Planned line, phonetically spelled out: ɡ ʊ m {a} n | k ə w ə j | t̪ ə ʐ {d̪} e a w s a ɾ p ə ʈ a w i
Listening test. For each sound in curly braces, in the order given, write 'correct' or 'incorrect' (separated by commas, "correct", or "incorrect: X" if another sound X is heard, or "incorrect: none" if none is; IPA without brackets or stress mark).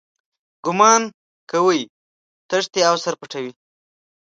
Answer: incorrect: ɑ, incorrect: t̪